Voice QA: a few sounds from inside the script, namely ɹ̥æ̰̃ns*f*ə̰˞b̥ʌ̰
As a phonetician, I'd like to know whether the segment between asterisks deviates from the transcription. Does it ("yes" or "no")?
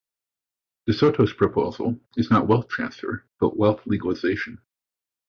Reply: no